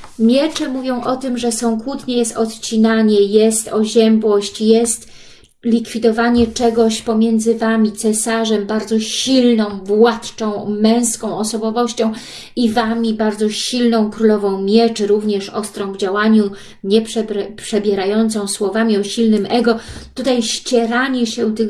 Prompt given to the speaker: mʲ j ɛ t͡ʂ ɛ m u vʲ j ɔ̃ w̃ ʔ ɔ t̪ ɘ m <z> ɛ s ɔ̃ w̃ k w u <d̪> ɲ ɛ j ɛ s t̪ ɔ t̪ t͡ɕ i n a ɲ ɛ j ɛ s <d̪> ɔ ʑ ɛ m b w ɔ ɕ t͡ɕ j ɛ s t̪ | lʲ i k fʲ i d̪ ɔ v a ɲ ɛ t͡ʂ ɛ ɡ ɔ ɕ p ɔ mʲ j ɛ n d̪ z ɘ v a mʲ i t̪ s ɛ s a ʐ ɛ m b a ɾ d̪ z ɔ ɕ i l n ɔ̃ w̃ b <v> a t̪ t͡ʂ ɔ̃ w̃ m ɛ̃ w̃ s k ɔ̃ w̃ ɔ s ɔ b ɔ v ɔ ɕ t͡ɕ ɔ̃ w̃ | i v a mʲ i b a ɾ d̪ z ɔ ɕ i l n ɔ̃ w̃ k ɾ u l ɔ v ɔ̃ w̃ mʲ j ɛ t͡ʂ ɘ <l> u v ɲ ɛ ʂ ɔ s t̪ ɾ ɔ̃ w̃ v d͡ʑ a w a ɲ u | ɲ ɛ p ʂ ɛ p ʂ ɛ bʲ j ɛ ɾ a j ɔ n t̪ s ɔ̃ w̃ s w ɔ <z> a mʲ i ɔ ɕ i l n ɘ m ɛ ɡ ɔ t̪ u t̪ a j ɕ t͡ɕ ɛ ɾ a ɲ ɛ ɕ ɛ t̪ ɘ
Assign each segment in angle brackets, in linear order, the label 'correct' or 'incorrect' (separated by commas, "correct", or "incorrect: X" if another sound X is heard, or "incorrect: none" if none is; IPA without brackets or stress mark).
incorrect: ʐ, incorrect: t̪, incorrect: t̪, incorrect: w, incorrect: ɾ, incorrect: v